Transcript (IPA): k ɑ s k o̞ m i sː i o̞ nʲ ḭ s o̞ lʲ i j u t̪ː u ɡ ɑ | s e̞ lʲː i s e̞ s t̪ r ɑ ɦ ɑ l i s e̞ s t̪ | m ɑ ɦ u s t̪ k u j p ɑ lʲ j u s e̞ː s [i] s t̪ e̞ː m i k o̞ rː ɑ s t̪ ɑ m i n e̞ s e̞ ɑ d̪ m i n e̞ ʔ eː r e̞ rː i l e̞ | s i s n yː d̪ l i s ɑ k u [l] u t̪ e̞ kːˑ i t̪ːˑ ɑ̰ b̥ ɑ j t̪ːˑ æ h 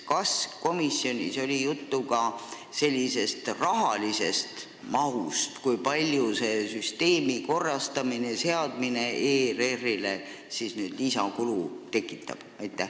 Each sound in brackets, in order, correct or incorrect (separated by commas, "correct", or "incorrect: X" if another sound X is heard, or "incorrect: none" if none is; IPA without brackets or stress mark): incorrect: y, correct